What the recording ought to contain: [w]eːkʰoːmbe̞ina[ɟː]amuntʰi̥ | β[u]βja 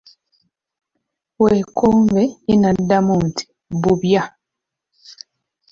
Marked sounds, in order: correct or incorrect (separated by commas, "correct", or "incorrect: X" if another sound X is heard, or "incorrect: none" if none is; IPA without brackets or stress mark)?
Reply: correct, incorrect: dː, correct